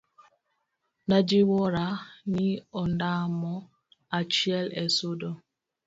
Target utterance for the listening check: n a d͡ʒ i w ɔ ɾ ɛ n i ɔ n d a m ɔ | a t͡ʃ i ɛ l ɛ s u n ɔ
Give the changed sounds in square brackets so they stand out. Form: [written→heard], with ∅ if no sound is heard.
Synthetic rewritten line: n a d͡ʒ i w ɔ ɾ [ɛ→a] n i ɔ n d a m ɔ | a t͡ʃ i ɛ l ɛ s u [n→d] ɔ